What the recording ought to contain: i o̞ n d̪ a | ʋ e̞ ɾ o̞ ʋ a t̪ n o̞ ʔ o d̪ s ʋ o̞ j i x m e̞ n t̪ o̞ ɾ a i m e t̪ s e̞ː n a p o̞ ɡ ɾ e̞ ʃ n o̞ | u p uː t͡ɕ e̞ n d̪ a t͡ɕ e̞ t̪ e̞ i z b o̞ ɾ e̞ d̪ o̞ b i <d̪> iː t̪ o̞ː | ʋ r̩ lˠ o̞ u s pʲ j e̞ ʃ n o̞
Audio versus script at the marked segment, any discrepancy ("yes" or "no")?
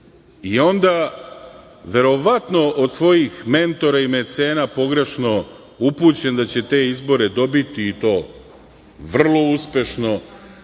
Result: yes